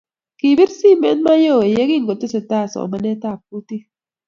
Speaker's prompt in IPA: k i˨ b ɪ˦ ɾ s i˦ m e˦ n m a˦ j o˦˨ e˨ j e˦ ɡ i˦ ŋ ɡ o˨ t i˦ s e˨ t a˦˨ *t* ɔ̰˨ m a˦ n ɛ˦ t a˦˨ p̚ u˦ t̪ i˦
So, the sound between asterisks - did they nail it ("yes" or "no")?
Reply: no